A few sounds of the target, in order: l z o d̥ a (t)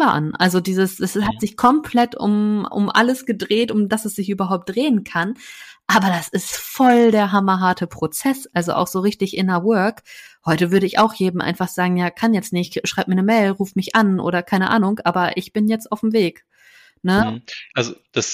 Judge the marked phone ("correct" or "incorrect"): incorrect